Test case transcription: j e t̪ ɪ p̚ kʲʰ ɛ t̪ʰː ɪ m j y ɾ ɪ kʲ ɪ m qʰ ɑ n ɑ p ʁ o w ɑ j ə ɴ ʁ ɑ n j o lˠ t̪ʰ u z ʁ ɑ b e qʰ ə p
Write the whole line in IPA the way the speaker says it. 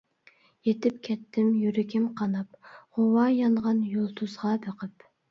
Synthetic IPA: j e t̪ ɪ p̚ kʲʰ ɛ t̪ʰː ɪ m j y ɾ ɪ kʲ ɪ m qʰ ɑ n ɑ p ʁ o w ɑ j ɑ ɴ ʁ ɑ n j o lˠ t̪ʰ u z ʁ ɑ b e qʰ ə p